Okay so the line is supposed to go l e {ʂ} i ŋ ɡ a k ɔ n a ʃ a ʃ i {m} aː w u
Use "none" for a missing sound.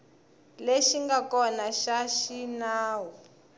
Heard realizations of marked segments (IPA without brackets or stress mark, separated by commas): ʃ, n